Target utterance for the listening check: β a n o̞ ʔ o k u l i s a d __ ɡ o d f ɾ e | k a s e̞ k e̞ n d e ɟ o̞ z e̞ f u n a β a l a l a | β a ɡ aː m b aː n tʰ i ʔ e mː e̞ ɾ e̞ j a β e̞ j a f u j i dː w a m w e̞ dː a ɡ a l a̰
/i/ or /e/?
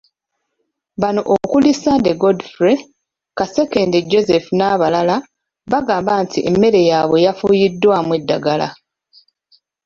e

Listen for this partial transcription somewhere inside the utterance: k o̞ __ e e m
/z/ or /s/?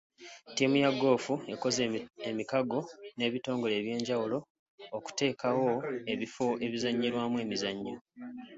z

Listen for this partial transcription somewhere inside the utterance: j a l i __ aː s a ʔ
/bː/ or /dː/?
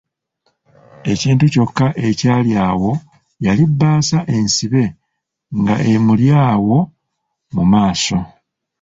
bː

